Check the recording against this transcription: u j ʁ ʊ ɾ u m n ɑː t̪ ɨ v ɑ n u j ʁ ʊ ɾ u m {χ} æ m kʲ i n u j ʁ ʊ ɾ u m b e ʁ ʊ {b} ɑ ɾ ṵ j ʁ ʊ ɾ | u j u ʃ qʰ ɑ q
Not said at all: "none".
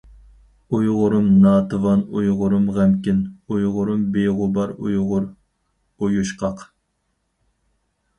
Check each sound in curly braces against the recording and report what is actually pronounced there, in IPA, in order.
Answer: ʁ, b

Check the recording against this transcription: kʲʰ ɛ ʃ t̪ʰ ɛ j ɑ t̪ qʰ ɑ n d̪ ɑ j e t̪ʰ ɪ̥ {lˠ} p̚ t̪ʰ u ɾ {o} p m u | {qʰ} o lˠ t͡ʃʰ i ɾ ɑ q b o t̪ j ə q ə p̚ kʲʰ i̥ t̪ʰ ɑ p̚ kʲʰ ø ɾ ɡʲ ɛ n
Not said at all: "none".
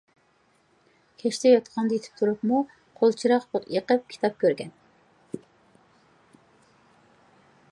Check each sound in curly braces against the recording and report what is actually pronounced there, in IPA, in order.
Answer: none, u, qʰ

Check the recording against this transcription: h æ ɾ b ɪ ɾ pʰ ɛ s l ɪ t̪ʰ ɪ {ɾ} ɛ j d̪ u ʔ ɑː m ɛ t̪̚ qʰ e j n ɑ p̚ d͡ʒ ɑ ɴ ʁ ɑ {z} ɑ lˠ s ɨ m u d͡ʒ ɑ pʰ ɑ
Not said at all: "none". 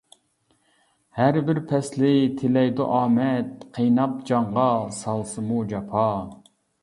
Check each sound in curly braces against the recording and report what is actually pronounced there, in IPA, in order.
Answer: l, s

